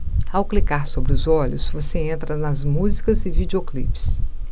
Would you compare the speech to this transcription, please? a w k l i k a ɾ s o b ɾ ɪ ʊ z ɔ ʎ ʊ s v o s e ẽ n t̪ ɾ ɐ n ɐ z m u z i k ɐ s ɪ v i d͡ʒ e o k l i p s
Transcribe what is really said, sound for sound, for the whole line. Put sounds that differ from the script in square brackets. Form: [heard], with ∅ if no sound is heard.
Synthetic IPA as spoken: a w k l i k a ɾ s o b ɾ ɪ ʊ z ɔ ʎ ʊ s v o s e ẽ n t̪ ɾ ɐ n ɐ z m u z i k ɐ [z] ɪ v i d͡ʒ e o k l i p s